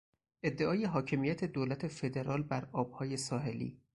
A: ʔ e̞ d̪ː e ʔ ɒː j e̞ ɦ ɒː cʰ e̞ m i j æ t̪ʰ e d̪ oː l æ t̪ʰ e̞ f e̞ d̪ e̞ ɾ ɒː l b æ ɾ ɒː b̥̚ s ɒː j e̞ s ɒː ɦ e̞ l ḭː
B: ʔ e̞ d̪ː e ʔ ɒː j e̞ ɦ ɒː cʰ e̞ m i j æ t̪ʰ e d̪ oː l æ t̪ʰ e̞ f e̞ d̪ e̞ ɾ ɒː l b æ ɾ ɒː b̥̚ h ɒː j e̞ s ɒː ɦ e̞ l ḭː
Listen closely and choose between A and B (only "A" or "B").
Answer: B